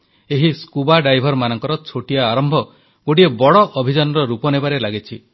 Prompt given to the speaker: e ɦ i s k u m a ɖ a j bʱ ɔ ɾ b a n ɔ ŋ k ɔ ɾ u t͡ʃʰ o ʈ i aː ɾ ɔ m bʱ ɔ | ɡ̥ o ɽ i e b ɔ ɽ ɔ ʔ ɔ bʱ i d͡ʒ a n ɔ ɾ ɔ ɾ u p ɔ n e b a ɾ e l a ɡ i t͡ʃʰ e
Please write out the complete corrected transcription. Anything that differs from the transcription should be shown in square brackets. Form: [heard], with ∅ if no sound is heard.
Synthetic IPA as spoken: e ɦ i s k u [b] a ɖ a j bʱ ɔ ɾ [m] a n ɔ ŋ k ɔ ɾ [ɔ] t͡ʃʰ o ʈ i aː ɾ ɔ m bʱ ɔ | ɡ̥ o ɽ i e b ɔ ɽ ɔ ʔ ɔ bʱ i d͡ʒ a n ɔ ɾ ɔ ɾ u p ɔ n e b a ɾ e l a ɡ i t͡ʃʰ [i]